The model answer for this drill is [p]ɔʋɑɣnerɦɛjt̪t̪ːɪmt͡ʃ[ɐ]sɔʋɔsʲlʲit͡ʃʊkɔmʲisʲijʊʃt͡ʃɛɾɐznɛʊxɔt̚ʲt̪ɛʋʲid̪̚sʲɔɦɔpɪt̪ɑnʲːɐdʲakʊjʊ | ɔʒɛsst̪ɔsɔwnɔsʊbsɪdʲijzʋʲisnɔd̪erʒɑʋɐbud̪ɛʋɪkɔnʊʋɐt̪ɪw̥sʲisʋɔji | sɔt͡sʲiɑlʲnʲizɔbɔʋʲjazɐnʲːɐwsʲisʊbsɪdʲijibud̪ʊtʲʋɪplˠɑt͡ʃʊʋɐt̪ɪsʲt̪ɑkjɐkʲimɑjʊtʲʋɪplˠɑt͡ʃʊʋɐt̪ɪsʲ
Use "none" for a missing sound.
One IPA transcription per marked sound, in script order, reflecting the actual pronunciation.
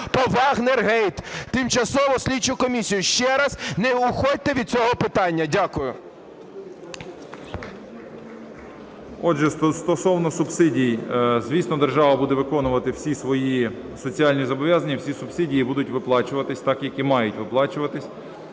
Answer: p, ɐ

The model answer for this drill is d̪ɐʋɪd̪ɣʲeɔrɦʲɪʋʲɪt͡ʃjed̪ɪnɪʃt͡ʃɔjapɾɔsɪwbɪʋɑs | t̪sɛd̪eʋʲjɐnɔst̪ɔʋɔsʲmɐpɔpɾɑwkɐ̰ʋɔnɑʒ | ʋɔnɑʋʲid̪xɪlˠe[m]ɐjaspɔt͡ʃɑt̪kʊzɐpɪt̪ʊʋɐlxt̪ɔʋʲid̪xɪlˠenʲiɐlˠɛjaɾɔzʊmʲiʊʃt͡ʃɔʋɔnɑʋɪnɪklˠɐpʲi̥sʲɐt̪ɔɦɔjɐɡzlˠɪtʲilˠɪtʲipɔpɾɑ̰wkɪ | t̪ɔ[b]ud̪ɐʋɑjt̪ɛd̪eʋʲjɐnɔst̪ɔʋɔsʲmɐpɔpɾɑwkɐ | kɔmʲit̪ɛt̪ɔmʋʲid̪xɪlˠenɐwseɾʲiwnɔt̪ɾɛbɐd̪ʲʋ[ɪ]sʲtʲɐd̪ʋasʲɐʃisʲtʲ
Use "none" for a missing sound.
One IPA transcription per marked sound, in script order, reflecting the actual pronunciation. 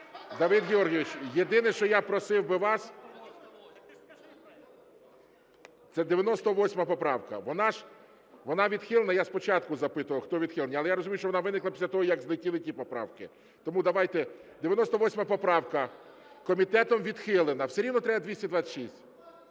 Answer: n, m, i

